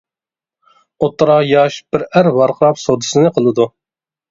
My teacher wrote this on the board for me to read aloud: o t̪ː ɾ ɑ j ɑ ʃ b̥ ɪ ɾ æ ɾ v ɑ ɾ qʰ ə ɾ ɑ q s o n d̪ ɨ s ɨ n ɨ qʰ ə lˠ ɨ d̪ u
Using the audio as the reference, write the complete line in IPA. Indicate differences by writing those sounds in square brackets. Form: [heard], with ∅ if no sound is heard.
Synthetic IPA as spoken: o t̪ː ɾ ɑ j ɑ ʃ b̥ ɪ ɾ æ ɾ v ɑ ɾ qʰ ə ɾ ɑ [p] s o [∅] d̪ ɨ s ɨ n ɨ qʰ ə lˠ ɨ d̪ u